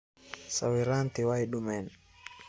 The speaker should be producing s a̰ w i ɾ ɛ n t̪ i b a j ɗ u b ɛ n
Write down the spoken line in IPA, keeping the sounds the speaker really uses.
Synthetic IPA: s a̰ w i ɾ a n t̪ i w a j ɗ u m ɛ n